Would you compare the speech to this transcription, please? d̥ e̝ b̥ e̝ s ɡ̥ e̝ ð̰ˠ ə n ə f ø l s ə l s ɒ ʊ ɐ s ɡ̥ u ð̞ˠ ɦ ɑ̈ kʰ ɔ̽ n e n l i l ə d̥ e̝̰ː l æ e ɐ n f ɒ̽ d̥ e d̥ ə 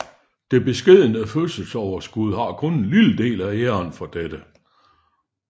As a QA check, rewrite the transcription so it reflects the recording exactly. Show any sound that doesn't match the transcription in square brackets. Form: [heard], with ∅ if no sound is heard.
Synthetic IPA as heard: d̥ e̝ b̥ e̝ s ɡ̥ e̝ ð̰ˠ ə n ə f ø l s ə l s ɒ ʊ ɐ s ɡ̥ u ð̞ˠ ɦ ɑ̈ kʰ ɔ̽ n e n l i l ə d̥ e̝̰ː l æ e ɐ n f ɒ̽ d̥ e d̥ ə